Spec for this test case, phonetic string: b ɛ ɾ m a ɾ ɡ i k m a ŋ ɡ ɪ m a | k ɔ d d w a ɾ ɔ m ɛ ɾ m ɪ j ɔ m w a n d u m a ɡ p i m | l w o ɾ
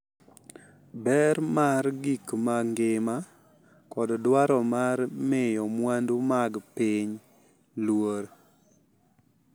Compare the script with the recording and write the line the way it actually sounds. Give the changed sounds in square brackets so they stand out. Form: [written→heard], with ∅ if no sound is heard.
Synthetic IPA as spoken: b ɛ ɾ m a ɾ ɡ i k m a ŋ ɡ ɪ m a | k ɔ d d w a ɾ ɔ m [ɛ→a] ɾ m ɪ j ɔ m w a n d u m a ɡ p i [m→ɲ] | l w o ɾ